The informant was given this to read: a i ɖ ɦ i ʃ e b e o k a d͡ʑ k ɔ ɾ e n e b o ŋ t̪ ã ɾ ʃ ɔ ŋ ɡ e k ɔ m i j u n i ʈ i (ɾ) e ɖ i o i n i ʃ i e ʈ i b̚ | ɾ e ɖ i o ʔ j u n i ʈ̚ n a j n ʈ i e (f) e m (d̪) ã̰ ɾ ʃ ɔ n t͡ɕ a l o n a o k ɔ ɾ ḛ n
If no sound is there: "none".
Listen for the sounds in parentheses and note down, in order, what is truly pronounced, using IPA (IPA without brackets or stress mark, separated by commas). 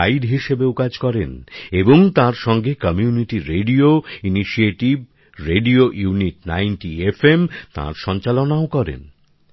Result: ɾ, f, t̪